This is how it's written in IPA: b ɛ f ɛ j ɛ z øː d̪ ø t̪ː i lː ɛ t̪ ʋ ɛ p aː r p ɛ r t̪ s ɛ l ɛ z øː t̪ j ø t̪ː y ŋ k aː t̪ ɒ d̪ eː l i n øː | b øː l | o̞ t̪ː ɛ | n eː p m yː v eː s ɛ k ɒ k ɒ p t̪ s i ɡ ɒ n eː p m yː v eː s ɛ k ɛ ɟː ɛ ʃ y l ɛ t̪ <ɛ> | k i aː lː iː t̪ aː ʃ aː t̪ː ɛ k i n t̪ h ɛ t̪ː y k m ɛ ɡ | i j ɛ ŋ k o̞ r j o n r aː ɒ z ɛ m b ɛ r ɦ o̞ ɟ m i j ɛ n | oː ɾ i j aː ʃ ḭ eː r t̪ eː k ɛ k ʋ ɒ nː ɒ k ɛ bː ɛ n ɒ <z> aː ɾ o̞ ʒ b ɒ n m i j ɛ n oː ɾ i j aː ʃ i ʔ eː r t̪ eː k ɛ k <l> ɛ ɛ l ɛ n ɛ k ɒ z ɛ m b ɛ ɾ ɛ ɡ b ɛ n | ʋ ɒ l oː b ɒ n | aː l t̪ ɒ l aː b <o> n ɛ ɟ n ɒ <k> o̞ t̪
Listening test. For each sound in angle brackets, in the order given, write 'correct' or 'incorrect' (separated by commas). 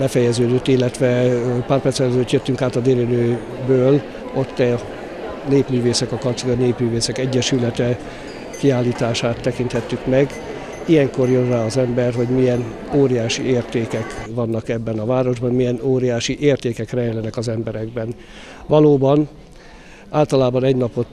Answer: correct, incorrect, incorrect, incorrect, incorrect